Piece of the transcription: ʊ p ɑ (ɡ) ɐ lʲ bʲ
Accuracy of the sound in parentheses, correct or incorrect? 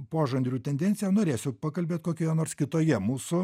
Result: incorrect